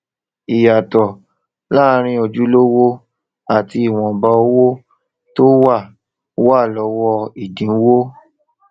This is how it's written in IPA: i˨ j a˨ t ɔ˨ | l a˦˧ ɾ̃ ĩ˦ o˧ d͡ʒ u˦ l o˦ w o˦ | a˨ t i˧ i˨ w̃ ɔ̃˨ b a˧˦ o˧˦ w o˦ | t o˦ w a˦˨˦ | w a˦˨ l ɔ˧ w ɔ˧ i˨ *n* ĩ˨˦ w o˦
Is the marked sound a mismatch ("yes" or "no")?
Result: yes